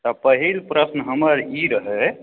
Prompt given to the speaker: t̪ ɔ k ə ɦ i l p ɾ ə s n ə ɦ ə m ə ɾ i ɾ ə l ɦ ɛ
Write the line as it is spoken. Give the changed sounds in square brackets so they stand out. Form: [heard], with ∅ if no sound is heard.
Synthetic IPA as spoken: t̪ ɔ [p] ə ɦ i l p ɾ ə s n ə ɦ ə m ə ɾ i ɾ ə [∅] ɦ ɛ